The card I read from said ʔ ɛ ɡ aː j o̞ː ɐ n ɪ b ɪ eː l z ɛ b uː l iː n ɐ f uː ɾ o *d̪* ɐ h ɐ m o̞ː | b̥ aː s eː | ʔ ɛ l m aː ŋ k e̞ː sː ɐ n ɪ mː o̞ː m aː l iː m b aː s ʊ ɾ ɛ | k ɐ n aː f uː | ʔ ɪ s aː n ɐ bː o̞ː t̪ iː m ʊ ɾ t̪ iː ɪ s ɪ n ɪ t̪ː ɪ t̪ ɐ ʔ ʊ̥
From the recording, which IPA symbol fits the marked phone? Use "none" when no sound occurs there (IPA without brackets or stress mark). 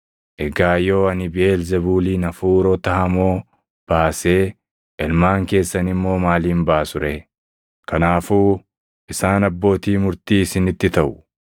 t̪